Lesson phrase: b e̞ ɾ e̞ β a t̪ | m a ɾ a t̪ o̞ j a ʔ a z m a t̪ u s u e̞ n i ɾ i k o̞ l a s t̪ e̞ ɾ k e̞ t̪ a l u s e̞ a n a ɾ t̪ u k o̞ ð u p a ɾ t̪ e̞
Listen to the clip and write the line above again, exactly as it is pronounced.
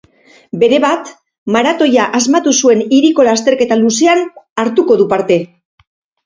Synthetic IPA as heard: b e̞ ɾ e̞ β a t̪ | m a ɾ a t̪ o̞ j a ʔ a z m a t̪ u s u e̞ n i ɾ i k o̞ l a s t̪ e̞ ɾ k e̞ t̪ a l u s e̞ a n a ɾ t̪ u k o̞ ð u p a ɾ t̪ e̞

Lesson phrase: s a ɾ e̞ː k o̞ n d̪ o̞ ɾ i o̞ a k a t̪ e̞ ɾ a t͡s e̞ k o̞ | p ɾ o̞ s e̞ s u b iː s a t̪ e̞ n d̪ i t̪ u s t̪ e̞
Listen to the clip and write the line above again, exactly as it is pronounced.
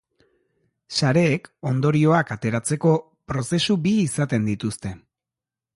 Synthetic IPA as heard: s a ɾ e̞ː k o̞ n d̪ o̞ ɾ i o̞ a k a t̪ e̞ ɾ a t͡s e̞ k o̞ | p ɾ o̞ s e̞ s u b iː s a t̪ e̞ n d̪ i t̪ u s t̪ e̞

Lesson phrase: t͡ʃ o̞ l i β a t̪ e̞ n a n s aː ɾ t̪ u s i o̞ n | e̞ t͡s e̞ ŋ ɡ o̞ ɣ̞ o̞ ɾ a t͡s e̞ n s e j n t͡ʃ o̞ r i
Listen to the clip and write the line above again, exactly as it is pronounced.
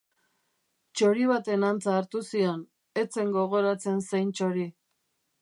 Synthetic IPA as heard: t͡ʃ o̞ ɾ i β a t̪ e̞ n a n t͡s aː ɾ t̪ u s i o̞ n | e̞ t͡s e̞ ŋ ɡ o̞ ɣ̞ o̞ ɾ a t͡s e̞ n s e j n t͡ʃ o̞ ɾ i

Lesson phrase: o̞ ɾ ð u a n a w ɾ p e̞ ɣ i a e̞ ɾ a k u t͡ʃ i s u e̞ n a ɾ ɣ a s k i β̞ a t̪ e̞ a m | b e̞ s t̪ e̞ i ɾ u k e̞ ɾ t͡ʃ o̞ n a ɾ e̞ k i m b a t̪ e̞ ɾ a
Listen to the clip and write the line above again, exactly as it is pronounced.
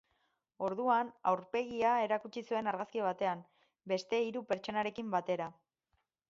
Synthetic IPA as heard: o̞ ɾ ð u a n a w ɾ p e̞ ɣ i a e̞ ɾ a k u t͡ʃ i s u e̞ n a ɾ ɣ a s k i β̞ a t̪ e̞ a m | b e̞ s t̪ e̞ i ɾ u p e̞ ɾ t͡ʃ o̞ n a ɾ e̞ k i m b a t̪ e̞ ɾ a

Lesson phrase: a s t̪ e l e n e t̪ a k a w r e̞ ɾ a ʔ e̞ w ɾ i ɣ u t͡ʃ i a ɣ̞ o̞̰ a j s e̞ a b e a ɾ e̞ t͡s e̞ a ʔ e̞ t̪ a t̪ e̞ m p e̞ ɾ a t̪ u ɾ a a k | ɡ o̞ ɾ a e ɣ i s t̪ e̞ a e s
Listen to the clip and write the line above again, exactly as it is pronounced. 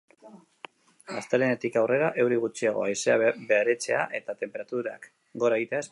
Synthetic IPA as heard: a s t̪ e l e n e t̪ i k a w r e̞ ɾ a ʔ e̞ w ɾ i ɣ u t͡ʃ i a ɣ̞ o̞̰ a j s e̞ a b e a ɾ e̞ t͡s e̞ a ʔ e̞ t̪ a t̪ e̞ m p e̞ ɾ a t̪ u ɾ a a k | ɡ o̞ ɾ a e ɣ i t̪ e̞ a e s

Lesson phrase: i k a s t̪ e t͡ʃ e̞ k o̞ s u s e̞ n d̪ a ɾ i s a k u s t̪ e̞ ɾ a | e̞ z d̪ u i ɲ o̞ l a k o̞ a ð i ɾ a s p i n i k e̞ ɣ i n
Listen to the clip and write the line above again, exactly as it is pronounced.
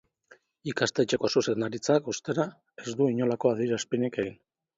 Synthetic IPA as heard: i k a s t̪ e t͡ʃ e̞ k o̞ s u s e̞ n d̪ a ɾ i t͡s a k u s t̪ e̞ ɾ a | e̞ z d̪ u i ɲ o̞ l a k o̞ a ð i ɾ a s p i n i k e̞ ɣ i n

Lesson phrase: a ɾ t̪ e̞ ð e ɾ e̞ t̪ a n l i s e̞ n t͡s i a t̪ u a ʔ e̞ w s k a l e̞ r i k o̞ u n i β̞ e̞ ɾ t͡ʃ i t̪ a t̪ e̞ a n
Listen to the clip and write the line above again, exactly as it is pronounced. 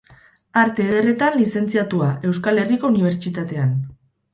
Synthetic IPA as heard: a ɾ t̪ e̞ ð e r e̞ t̪ a n l i s e̞ n t͡s i a t̪ u a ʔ e̞ w s k a l e̞ r i k o̞ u n i β̞ e̞ ɾ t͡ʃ i t̪ a t̪ e̞ a n

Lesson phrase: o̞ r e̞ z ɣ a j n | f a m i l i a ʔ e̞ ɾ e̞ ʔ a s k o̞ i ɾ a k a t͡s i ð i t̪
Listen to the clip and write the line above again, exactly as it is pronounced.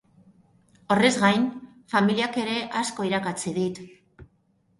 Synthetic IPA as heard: o̞ r e̞ z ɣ a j n | f a m i l i a k e̞ ɾ e̞ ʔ a s k o̞ i ɾ a k a t͡s i ð i t̪

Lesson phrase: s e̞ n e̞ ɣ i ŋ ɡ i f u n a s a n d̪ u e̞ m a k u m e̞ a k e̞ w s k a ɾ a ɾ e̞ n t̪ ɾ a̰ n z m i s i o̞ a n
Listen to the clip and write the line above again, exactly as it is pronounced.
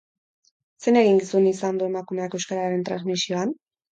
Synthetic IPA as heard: s e̞ n e̞ ɣ i ŋ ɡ i s u n i s a n d̪ u e̞ m a k u m e̞ a k e̞ w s k a ɾ a ɾ e̞ n t̪ ɾ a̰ n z m i s i o̞ a n

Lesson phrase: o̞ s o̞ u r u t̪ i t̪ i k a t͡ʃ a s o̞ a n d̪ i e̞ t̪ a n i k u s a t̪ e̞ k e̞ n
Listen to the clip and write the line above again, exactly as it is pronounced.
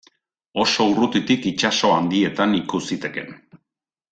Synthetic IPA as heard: o̞ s o̞ u r u t̪ i t̪ i k i t͡ʃ a s o̞ a n d̪ i e̞ t̪ a n i k u s i t̪ e̞ k e̞ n

